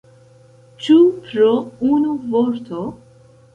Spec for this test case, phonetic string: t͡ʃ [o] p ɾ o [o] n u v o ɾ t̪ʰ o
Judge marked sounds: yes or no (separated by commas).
no, no